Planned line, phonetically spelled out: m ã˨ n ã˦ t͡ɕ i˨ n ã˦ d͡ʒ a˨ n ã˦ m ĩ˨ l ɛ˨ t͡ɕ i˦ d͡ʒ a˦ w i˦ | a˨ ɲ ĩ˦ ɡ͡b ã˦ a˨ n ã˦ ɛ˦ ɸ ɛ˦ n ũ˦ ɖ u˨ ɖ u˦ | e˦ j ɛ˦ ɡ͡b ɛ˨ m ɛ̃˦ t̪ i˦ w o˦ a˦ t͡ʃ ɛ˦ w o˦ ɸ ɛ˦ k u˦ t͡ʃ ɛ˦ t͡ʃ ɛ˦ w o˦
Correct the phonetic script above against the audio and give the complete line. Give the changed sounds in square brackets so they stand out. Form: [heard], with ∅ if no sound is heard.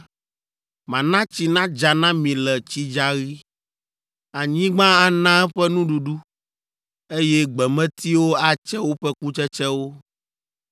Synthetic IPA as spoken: m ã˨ n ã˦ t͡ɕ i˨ n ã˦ d͡ʒ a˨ n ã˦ m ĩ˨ l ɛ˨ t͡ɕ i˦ d͡ʒ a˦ [ɣ] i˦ | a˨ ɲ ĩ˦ ɡ͡b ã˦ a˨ n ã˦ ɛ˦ ɸ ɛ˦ n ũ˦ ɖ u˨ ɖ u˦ | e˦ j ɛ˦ ɡ͡b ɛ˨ m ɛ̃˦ t̪ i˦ w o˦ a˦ t͡ʃ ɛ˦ w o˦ ɸ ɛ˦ k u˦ t͡ʃ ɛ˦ t͡ʃ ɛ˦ w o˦